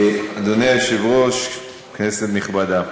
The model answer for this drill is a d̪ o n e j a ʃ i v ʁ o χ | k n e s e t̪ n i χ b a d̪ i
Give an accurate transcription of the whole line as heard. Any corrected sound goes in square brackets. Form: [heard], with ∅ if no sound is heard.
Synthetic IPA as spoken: a d̪ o n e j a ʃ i v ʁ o [ʃ] | k n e s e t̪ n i χ b a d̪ [a]